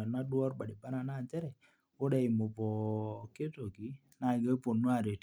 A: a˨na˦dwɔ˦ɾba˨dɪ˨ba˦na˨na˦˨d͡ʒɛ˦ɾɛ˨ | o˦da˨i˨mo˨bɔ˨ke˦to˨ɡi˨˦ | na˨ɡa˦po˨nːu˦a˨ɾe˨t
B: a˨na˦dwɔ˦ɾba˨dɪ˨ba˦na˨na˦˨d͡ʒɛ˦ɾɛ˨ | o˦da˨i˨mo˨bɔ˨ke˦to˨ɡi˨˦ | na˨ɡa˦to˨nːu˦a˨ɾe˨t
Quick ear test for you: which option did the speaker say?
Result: A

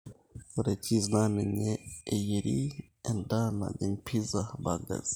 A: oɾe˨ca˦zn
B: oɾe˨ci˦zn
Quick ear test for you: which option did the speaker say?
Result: B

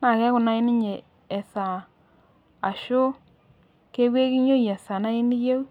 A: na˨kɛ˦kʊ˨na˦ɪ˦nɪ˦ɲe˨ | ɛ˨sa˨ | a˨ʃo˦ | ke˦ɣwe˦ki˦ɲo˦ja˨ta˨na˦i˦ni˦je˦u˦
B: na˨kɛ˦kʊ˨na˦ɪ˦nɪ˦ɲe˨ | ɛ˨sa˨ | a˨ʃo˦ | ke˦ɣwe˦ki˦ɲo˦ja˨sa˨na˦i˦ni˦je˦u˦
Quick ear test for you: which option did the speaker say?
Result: B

